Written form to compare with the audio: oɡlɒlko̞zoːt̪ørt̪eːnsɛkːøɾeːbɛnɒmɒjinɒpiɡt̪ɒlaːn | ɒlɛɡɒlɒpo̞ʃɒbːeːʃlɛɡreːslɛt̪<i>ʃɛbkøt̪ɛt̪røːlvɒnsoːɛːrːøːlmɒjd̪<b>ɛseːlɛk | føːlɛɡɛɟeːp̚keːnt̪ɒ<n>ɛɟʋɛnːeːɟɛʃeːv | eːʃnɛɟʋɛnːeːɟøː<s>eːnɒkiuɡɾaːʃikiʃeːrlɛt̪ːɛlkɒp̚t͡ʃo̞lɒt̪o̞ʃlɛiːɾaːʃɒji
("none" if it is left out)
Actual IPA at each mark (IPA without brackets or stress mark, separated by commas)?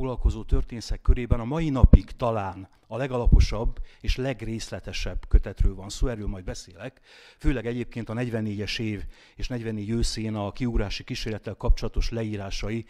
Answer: ɛ, b, n, s